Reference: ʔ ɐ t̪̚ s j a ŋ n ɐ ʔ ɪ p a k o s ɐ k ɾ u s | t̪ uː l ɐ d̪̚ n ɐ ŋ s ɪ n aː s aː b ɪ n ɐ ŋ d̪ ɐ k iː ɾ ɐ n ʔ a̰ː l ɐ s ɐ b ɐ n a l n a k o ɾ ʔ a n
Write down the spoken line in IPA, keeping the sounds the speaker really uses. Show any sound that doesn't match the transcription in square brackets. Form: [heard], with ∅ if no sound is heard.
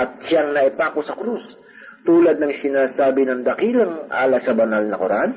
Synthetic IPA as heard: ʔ ɐ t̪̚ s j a ŋ n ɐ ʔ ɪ p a k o s ɐ k ɾ u s | t̪ uː l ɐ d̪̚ n ɐ ŋ s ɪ n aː s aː b ɪ n ɐ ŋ d̪ ɐ k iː [l] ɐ [ŋ] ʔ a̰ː l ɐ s ɐ b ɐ n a l n [ɐ] k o ɾ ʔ a n